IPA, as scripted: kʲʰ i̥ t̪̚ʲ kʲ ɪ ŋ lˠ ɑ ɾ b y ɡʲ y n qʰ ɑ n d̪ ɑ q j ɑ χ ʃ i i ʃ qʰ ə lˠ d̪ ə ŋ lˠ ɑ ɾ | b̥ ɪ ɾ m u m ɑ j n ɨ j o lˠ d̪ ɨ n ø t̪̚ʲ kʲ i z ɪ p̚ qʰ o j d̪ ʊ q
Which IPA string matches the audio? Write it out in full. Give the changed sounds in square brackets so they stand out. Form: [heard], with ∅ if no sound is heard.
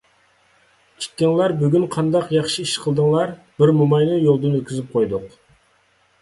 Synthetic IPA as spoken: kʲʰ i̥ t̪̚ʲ kʲ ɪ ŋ lˠ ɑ ɾ b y ɡʲ y n qʰ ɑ n d̪ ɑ q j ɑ χ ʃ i i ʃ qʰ ə lˠ d̪ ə ŋ lˠ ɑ ɾ | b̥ ɪ ɾ m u m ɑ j n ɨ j o lˠ d̪ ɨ n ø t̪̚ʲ kʲ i z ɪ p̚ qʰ o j d̪ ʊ q